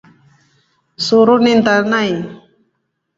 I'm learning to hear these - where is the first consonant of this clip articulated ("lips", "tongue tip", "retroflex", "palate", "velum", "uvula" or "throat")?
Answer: tongue tip